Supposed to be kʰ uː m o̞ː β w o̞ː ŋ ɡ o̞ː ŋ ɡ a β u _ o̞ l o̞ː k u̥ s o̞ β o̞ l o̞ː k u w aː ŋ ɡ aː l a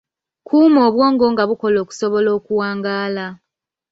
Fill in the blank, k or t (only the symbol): k